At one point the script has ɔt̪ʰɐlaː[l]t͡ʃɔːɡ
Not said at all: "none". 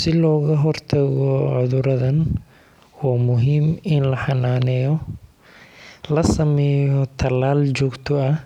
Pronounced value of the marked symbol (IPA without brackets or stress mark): l